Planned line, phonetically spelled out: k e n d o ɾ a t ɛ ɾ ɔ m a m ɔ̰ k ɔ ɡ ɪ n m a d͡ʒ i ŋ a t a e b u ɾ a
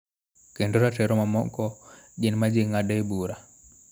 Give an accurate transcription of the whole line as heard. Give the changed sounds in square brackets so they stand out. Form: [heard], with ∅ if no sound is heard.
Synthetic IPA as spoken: k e n d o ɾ a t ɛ ɾ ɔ m a m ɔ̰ k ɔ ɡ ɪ n m a d͡ʒ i ŋ a [d] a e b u ɾ a

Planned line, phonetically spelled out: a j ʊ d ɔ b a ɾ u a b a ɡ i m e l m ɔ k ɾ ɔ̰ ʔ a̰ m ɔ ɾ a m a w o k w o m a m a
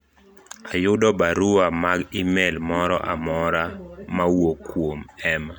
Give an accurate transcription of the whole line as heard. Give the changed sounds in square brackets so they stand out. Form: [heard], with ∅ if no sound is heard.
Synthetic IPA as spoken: a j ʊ d ɔ b a ɾ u a [m] a ɡ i m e l m ɔ [∅] ɾ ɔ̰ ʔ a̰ m ɔ ɾ a m a w o k w o m [ɛ] m a

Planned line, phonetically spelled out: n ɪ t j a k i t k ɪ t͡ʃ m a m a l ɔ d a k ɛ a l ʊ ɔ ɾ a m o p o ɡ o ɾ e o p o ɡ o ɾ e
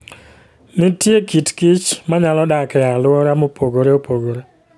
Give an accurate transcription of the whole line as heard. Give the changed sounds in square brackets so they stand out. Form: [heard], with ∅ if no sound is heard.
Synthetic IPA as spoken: n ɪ t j [e] k i t k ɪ t͡ʃ m a [ɲ] a l ɔ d a k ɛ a l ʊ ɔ ɾ a m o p o ɡ o ɾ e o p o ɡ o ɾ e

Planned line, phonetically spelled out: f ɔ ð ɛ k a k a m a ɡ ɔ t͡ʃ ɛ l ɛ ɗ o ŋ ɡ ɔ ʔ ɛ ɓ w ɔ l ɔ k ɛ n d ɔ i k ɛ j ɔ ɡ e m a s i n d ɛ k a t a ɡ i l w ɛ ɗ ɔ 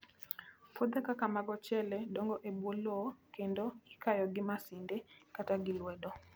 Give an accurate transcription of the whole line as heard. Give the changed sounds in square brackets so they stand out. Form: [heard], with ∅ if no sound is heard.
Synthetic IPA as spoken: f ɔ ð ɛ k a k a m a ɡ ɔ t͡ʃ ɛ l ɛ ɗ [ɔ] ŋ ɡ ɔ ʔ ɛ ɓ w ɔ l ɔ k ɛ n d ɔ i k [a] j ɔ ɡ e m a s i n d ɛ k a t a ɡ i l w ɛ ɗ ɔ

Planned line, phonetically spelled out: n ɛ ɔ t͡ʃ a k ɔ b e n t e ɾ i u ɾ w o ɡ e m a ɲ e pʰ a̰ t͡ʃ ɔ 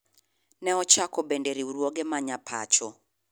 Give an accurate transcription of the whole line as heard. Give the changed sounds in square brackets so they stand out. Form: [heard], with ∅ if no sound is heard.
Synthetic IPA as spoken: n ɛ ɔ t͡ʃ a k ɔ b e n [d] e ɾ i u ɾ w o ɡ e m a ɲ [a] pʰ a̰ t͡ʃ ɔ

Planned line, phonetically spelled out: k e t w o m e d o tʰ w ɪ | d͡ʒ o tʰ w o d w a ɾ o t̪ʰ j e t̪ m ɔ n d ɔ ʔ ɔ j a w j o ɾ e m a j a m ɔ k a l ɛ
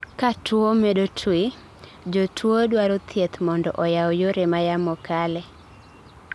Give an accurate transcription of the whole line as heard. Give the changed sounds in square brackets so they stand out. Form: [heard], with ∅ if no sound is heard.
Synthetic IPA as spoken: k [a] t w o m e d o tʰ w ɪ | d͡ʒ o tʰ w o d w a ɾ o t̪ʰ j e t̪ m ɔ n d ɔ ʔ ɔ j a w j o ɾ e m a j a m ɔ k a l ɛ

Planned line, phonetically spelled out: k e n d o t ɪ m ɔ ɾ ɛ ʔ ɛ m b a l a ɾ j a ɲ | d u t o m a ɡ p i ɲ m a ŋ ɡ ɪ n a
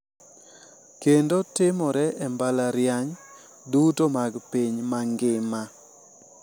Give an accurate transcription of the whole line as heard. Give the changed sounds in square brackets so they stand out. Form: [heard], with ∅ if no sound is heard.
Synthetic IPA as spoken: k e n d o t ɪ m ɔ ɾ ɛ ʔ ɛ m b a l a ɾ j a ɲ | d u t o m a ɡ p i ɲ m a ŋ ɡ ɪ [m] a

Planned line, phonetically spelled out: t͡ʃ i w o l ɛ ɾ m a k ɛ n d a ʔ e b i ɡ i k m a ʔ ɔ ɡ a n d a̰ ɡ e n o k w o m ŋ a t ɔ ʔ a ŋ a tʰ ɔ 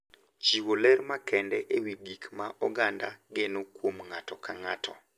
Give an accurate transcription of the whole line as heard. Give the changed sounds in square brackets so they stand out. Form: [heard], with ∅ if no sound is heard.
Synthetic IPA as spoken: t͡ʃ i w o l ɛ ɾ m a k ɛ n d [ɛ] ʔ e [w] i ɡ i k m a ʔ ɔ ɡ a n d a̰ ɡ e n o k w o m ŋ a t ɔ [k] a ŋ a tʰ ɔ

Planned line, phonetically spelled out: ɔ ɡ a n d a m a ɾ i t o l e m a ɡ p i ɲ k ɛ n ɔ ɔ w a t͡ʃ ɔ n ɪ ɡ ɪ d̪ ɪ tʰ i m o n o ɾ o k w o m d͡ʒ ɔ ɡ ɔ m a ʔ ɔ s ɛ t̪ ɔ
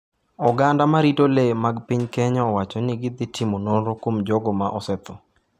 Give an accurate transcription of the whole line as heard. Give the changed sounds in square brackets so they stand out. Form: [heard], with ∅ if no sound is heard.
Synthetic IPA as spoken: ɔ ɡ a n d a m a ɾ i t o l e m a ɡ p i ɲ k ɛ [ɲ] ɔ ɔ w a t͡ʃ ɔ n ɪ ɡ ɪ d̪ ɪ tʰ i m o n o ɾ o k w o m d͡ʒ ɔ ɡ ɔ m a ʔ ɔ s ɛ t̪ ɔ

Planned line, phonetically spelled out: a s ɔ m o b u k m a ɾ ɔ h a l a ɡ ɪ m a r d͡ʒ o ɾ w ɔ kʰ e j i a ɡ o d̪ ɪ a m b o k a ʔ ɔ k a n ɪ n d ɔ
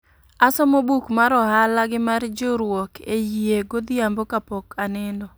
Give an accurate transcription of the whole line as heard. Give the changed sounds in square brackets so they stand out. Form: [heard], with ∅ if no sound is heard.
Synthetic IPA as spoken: a s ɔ m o b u k m a ɾ ɔ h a l a ɡ ɪ m a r d͡ʒ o ɾ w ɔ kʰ e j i [e] ɡ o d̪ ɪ a m b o k a [p] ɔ k a n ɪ n d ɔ

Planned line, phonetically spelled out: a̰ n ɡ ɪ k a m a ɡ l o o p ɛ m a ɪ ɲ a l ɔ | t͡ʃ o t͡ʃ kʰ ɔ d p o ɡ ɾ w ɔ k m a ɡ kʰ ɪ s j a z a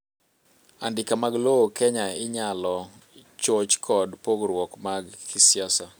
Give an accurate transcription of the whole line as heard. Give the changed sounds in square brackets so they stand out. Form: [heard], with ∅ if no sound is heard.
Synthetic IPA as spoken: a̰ n [d] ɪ k a m a ɡ l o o [k] ɛ [ɲ] a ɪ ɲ a l ɔ | t͡ʃ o t͡ʃ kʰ ɔ d p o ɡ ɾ w ɔ k m a ɡ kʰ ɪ s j a [s] a

